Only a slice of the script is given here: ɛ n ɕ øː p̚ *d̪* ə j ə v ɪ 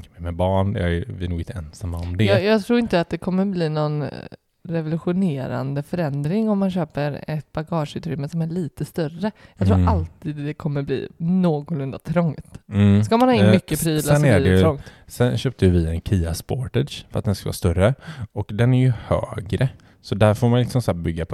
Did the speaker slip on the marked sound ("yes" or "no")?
yes